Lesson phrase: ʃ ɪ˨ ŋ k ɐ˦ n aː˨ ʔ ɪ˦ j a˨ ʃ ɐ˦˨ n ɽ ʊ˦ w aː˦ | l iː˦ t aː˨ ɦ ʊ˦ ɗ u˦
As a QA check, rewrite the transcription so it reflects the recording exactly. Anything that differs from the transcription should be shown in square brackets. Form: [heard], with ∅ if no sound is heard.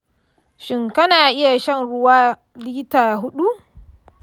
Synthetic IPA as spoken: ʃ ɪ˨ ŋ k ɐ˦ n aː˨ ʔ ɪ˦ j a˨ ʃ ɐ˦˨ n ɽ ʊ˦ w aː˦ | l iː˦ t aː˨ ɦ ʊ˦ ɗ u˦